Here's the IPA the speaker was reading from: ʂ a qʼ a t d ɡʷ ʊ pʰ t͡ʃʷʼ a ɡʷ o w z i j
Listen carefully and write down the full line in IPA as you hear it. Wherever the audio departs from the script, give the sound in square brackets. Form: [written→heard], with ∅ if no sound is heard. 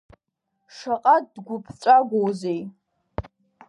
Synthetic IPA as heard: ʂ a qʼ a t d ɡʷ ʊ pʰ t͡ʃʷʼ a ɡʷ o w z [i→e] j